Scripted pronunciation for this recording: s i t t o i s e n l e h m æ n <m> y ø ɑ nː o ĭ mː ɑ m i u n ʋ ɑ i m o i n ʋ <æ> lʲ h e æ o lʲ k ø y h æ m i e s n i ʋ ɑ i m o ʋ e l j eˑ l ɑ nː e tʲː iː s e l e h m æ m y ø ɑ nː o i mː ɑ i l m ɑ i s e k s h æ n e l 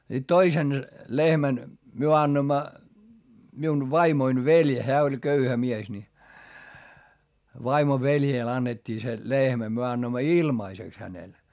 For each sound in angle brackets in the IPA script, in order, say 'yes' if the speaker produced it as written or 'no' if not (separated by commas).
yes, no